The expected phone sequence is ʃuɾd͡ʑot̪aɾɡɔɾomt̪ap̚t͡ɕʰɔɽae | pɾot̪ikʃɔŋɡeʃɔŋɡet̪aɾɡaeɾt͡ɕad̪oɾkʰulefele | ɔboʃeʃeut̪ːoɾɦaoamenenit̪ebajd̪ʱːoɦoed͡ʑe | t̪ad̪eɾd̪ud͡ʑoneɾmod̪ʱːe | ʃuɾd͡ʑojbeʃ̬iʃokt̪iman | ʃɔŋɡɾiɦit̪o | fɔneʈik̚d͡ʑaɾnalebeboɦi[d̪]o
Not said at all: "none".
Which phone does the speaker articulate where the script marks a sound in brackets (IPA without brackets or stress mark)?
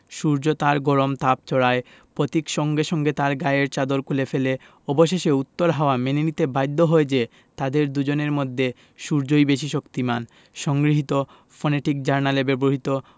t̪